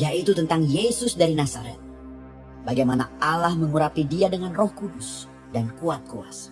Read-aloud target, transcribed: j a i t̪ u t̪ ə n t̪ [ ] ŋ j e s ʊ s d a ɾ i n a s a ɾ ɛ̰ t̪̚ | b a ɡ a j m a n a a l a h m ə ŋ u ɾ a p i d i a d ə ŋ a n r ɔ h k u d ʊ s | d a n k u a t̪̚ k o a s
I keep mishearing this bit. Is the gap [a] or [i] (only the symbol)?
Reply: a